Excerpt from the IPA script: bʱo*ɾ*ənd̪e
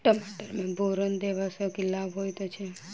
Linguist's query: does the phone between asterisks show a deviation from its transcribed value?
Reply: no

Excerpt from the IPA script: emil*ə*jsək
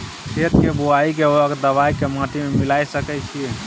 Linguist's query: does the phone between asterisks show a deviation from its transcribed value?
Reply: yes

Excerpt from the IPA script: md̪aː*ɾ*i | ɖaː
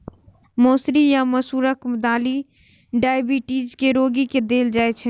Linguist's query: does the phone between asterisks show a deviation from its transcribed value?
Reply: yes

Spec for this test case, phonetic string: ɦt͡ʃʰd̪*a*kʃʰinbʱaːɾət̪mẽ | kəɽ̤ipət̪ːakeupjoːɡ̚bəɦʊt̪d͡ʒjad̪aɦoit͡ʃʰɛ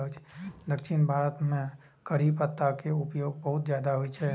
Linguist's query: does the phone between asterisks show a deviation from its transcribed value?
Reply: yes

